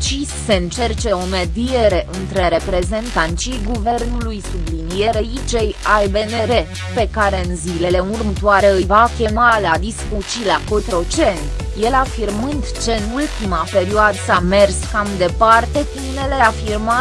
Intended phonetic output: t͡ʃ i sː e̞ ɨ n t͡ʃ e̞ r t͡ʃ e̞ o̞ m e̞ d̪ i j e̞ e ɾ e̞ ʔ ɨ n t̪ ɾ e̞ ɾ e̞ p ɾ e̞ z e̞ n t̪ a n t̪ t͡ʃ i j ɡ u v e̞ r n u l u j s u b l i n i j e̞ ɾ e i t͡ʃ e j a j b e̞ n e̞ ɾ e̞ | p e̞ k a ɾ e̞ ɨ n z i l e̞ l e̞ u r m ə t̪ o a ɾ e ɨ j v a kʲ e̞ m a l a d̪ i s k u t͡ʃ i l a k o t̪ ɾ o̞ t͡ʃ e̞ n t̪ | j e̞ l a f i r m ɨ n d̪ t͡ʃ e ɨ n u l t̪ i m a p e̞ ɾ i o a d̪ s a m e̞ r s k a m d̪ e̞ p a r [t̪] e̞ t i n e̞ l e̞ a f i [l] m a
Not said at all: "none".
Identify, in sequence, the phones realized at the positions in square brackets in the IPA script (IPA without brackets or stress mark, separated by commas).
t̪, r